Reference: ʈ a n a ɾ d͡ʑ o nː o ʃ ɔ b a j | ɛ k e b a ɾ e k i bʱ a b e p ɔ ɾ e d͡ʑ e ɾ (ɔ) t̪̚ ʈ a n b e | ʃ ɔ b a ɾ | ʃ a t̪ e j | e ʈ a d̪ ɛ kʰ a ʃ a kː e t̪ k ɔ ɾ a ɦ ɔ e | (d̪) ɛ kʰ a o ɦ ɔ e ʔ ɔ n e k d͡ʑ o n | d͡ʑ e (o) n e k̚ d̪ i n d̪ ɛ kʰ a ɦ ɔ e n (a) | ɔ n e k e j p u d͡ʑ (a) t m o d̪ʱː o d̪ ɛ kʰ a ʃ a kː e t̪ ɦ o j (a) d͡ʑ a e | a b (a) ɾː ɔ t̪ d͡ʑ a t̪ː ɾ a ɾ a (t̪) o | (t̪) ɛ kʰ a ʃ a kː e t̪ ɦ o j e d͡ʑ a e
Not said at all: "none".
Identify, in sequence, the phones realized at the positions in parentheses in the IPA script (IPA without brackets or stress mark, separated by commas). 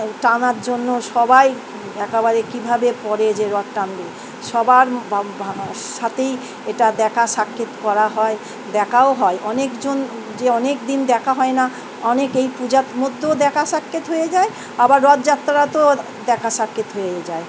ɔ, d̪, ɔ, a, a, e, a, t̪, d̪